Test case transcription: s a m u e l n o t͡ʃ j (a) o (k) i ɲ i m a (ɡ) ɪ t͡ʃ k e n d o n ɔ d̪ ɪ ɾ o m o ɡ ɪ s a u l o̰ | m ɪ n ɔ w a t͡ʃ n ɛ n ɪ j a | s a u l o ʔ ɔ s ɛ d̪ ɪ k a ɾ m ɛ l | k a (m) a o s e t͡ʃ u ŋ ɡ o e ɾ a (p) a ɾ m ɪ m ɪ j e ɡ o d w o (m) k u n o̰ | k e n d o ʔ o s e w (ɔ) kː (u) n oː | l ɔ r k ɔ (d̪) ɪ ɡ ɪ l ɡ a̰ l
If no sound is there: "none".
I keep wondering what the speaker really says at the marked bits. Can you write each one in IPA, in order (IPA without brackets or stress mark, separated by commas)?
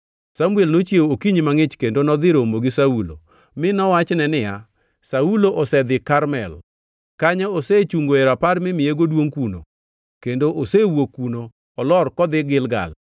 e, k, ŋ, ɲ, p, ŋ, o, u, d̪